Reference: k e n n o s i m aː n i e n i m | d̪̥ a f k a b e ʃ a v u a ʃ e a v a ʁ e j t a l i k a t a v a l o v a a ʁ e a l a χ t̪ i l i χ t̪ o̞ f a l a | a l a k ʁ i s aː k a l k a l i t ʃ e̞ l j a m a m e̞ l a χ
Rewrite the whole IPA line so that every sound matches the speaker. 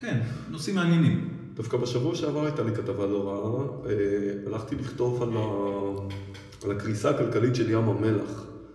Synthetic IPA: k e n n o s i m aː n j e n i m | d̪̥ a f k a b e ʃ a v u a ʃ e a v a ʁ a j t a l i k a t a v a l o ʁ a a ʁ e a l a χ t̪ i l i χ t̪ o̞ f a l a | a l a k ʁ i s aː k a l k a l i t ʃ e̞ l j a m a m e̞ l a χ